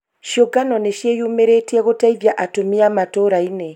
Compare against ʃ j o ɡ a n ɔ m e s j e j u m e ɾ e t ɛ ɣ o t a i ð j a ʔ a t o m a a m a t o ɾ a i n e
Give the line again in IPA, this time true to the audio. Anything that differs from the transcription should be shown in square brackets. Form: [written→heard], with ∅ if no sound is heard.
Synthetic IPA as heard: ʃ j o ɡ a n ɔ [m→n] e [s→ʃ] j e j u m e ɾ e t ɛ ɣ o t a i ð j a ʔ a t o m [a→i] a m a t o ɾ a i n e